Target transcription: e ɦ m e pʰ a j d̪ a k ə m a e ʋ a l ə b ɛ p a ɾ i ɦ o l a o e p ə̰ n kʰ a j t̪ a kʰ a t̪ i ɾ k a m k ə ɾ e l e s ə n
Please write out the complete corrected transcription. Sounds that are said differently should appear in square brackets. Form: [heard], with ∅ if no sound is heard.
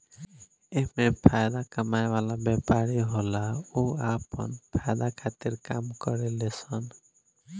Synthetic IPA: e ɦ m e pʰ a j d̪ a k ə m a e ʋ a l [a] b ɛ p a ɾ i ɦ o l a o [a] p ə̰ n [pʰ] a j [d̪] a kʰ a t̪ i ɾ k a m k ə ɾ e l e s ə n